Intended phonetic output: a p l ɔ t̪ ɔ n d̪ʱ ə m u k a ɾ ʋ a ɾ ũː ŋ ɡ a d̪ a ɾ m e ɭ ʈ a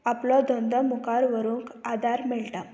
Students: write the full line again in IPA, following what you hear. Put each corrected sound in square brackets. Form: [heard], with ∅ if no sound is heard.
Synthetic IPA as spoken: a p l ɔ [d̪] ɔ n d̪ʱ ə m u k a ɾ ʋ [ə] ɾ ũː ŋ [k] a d̪ a ɾ m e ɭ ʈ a